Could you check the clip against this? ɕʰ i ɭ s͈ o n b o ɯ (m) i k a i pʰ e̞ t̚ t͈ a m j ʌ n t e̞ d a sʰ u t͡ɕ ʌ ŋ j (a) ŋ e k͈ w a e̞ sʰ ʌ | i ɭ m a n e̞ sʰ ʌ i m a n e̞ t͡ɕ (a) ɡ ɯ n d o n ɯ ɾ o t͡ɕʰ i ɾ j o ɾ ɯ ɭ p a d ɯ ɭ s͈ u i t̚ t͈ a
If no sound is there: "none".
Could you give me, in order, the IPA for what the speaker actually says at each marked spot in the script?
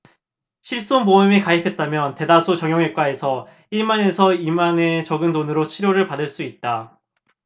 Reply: m, ʌ, ʌ

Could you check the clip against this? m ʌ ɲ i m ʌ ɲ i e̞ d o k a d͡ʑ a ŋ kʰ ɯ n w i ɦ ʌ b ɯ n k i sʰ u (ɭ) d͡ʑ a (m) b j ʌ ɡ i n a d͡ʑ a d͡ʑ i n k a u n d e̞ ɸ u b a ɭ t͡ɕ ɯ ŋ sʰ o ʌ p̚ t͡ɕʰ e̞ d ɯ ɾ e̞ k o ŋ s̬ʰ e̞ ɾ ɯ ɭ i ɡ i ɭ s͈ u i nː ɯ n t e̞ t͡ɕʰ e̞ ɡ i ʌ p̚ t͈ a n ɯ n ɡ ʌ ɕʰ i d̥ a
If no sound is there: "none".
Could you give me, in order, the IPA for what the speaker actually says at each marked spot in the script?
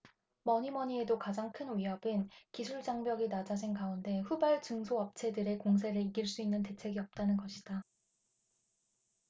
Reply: ɭ, ŋ

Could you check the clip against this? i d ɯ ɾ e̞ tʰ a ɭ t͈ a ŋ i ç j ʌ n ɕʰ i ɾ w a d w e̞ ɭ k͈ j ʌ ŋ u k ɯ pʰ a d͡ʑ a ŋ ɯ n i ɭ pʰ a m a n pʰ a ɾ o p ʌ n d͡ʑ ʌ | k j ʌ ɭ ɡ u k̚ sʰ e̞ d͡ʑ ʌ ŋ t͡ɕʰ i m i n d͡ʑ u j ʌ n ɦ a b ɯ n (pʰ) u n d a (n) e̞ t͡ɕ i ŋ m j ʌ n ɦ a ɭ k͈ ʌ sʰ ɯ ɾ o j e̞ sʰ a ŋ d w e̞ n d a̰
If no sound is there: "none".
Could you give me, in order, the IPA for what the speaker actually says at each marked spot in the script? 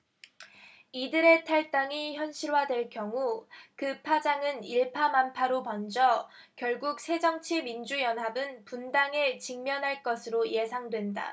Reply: p, ŋ

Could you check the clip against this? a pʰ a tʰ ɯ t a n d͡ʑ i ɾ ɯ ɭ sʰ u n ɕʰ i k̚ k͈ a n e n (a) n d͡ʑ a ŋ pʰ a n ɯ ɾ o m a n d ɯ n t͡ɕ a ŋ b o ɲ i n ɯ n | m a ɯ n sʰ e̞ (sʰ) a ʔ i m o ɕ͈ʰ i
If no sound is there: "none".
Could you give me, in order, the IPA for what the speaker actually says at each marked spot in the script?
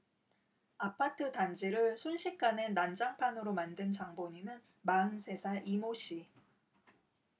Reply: a, sʰ

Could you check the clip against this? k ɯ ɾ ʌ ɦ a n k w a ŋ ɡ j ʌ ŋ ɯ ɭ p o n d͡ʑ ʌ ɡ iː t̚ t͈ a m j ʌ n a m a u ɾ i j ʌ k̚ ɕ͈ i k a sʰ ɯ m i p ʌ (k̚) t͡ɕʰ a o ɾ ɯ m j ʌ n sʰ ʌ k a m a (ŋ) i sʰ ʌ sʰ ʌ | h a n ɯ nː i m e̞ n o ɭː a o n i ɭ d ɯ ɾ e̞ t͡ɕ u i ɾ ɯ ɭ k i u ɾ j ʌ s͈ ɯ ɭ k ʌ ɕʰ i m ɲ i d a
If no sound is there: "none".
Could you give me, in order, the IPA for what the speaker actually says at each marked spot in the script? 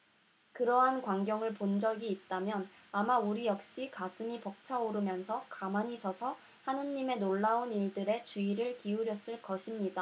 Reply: k̚, ɲ

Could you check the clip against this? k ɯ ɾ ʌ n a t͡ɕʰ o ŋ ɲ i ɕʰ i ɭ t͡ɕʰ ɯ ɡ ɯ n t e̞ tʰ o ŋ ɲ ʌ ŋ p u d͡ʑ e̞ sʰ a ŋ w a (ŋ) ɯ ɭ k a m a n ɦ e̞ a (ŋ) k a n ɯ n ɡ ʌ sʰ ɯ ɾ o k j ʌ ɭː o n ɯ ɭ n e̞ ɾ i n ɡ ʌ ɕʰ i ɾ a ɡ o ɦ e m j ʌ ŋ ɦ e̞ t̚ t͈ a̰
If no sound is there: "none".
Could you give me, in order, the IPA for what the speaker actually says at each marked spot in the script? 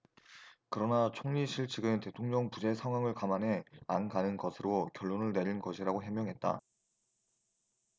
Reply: ŋ, n

